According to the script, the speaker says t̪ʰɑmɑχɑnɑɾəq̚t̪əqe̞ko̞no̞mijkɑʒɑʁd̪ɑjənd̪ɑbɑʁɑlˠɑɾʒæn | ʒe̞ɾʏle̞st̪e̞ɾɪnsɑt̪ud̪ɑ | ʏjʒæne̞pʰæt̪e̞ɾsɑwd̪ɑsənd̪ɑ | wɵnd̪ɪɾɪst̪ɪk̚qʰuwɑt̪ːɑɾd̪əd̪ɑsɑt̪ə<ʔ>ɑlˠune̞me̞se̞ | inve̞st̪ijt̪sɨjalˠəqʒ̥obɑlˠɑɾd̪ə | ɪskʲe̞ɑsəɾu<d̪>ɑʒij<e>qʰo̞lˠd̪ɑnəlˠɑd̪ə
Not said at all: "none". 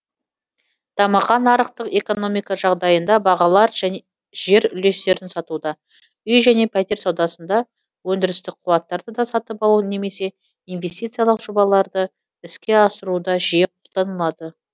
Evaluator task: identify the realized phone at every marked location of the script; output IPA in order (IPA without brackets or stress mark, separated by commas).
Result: p, d̪, e